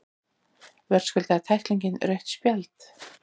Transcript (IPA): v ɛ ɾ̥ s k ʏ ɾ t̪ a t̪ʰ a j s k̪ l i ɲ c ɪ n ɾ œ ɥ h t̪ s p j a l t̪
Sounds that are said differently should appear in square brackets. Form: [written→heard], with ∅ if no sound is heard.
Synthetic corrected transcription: v ɛ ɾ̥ s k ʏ [ɾ→l] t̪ a t̪ʰ a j [s→h] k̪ l i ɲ c ɪ n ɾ œ ɥ h t̪ s p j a l t̪

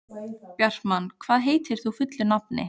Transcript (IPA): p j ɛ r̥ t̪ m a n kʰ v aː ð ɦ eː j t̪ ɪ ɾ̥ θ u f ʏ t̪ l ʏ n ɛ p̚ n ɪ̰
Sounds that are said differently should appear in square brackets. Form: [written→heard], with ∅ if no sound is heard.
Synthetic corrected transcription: p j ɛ r̥ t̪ m a n kʰ v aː ð ɦ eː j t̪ ɪ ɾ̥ θ u f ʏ t̪ l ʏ n [ɛ→a] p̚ n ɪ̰

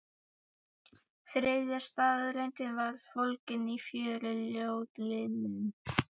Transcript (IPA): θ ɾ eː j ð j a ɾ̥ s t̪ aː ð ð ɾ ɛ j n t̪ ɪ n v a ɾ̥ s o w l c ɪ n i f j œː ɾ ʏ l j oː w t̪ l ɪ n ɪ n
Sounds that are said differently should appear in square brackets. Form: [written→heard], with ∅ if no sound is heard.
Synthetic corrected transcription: θ ɾ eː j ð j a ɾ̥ s t̪ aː ð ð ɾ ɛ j n t̪ ɪ n v a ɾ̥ [s→f] o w l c ɪ n i f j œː ɾ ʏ l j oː w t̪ l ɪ n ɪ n

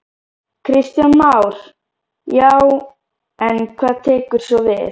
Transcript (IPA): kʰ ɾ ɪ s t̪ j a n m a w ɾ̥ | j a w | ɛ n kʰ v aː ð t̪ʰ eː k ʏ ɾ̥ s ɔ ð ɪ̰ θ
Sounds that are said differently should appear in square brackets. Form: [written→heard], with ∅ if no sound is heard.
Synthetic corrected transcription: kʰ ɾ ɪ s t̪ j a n m a w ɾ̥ | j a w | ɛ n kʰ v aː ð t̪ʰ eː k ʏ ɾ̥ s ɔ [ð→v] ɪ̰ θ

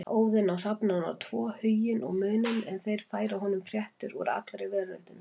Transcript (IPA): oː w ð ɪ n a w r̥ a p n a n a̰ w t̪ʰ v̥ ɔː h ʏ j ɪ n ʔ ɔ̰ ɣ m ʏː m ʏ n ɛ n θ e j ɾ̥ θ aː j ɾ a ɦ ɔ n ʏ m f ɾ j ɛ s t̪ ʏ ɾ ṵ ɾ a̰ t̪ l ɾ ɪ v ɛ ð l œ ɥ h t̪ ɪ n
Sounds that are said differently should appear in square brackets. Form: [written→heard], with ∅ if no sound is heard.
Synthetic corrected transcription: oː w ð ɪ n a w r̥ a p n a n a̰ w t̪ʰ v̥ ɔː h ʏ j ɪ n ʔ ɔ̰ ɣ m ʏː [m→n] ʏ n ɛ n θ e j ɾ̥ [θ→f] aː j ɾ a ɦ ɔ n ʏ m f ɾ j ɛ [s→h] t̪ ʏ ɾ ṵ ɾ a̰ t̪ l ɾ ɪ v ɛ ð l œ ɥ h t̪ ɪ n

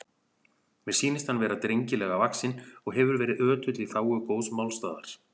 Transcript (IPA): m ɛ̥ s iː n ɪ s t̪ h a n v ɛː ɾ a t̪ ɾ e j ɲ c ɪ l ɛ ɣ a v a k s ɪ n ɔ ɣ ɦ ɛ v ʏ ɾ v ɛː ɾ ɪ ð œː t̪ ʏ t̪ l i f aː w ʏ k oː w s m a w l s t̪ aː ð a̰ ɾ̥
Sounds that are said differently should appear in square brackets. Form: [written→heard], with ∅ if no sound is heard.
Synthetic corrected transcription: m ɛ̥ s iː n ɪ s t̪ h a n v ɛː ɾ a t̪ ɾ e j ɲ c ɪ l ɛ ɣ a v a k s ɪ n ɔ ɣ ɦ ɛ v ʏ ɾ v ɛː ɾ ɪ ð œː t̪ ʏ t̪ l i [f→θ] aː w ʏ k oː w s m a w l s t̪ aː ð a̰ ɾ̥

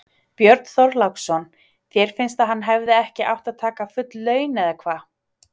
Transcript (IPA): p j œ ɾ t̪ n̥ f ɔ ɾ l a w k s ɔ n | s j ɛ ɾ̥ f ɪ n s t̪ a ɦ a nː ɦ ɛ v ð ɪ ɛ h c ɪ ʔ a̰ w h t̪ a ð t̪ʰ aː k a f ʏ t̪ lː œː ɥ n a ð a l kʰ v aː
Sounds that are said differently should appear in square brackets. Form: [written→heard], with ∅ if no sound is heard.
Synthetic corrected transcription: p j œ ɾ t̪ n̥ [f→θ] ɔ ɾ l a w k s ɔ n | [s→θ] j ɛ ɾ̥ f ɪ n s t̪ a ɦ a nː ɦ ɛ v ð ɪ ɛ h c ɪ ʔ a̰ w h t̪ a ð t̪ʰ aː k a f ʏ t̪ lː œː ɥ n [a→ɛ] ð a [l→∅] kʰ v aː

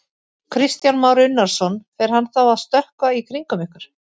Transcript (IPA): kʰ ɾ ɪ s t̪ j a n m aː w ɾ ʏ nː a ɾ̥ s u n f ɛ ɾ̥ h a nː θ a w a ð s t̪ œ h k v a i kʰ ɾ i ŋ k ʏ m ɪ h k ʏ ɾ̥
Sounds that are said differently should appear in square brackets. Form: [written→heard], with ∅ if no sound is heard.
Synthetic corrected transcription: kʰ ɾ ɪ s t̪ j a n m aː w ɾ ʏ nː a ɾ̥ s [u→ɔ] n f ɛ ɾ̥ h a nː θ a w a ð s t̪ œ h k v a i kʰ ɾ i ŋ k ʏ m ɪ h k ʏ ɾ̥

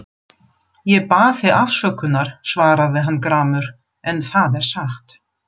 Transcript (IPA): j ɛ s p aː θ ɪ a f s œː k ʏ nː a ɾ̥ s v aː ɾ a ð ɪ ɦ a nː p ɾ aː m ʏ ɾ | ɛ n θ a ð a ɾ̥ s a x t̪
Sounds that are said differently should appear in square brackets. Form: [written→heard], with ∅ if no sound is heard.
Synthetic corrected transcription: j ɛ [s→∅] p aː θ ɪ a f s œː k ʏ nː a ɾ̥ s v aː ɾ a ð ɪ ɦ a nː [p→k] ɾ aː m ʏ ɾ | ɛ n θ a ð [a→ɛ] ɾ̥ s a x t̪

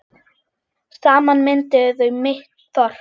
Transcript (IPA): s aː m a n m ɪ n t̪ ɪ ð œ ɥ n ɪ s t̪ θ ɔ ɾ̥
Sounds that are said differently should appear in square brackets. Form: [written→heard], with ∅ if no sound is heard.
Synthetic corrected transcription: s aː m a n m ɪ n t̪ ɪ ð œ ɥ [n→m] ɪ [s→h] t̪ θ ɔ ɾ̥

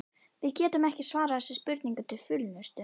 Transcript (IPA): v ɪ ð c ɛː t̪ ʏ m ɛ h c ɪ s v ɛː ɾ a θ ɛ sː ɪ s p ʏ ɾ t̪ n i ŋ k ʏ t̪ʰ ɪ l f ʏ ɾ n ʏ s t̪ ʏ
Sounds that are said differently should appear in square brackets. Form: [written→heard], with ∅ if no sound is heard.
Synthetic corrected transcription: v ɪ ð c ɛː t̪ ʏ m ɛ h c ɪ s v [ɛː→aː] ɾ a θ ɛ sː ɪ s p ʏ ɾ t̪ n i ŋ k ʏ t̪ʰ ɪ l f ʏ [ɾ→l] n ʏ s t̪ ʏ

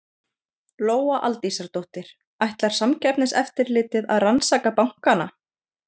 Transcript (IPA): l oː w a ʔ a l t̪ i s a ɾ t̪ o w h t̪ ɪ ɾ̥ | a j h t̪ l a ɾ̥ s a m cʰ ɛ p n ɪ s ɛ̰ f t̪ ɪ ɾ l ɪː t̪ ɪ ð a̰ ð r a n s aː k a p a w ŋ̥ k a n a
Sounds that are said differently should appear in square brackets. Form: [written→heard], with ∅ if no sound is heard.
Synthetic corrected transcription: l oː w a ʔ a l t̪ i s a ɾ t̪ o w h t̪ ɪ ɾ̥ | a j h t̪ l a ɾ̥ s a m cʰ ɛ p n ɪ s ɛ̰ f t̪ ɪ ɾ l ɪː t̪ ɪ ð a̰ ð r a n s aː k a p a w ŋ̥ k a n a

